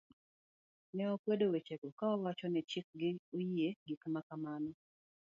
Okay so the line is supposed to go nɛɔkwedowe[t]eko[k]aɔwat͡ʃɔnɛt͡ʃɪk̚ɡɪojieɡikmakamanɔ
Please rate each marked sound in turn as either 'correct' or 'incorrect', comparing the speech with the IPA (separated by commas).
incorrect, correct